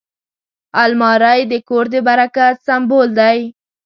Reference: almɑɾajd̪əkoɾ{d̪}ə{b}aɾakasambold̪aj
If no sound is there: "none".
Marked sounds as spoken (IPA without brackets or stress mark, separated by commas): d̪, b